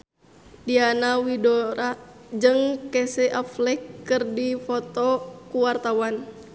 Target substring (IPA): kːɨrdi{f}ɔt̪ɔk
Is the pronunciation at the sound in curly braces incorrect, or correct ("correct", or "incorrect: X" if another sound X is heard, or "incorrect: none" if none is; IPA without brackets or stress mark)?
correct